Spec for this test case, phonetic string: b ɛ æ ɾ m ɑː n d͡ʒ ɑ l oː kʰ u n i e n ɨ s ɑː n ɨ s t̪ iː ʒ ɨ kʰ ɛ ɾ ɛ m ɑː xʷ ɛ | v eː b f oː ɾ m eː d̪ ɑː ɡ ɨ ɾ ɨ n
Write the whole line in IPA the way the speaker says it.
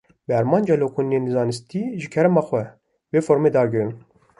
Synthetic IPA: b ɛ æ ɾ m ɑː n d͡ʒ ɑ l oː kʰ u n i e n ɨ z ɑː n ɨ s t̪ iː ʒ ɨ kʰ ɛ ɾ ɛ m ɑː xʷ ɛ | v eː f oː ɾ m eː d̪ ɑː ɡ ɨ ɾ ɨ n